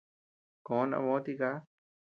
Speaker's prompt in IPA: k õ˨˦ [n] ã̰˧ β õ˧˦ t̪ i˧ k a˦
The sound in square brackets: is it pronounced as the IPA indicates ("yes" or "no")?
yes